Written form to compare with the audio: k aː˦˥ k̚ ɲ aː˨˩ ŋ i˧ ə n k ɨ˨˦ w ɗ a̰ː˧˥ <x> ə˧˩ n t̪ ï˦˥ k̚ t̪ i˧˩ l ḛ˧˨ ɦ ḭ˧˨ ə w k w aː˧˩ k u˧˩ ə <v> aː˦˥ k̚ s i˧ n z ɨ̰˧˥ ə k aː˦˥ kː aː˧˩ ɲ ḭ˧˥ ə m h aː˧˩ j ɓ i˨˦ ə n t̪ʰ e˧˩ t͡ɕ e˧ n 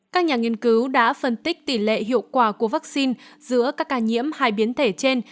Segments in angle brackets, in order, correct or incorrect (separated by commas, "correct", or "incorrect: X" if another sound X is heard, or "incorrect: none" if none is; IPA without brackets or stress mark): incorrect: f, correct